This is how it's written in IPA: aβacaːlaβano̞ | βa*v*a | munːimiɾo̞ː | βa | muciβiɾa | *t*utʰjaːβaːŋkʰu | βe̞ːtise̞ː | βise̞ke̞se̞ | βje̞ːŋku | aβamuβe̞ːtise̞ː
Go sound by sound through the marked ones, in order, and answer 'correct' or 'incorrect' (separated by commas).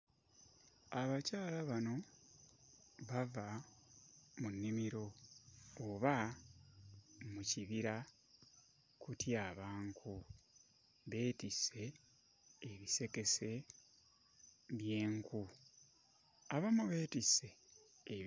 correct, incorrect